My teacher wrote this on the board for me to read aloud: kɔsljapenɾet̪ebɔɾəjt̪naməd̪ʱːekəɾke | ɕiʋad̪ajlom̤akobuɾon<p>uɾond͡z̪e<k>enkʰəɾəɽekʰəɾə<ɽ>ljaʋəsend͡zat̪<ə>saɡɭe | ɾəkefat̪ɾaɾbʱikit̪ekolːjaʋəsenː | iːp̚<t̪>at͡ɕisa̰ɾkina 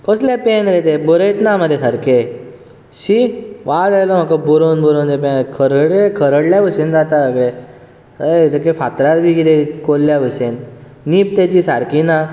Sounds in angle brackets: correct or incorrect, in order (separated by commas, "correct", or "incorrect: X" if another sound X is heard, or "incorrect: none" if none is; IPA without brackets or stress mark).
incorrect: b, incorrect: p, correct, incorrect: a, correct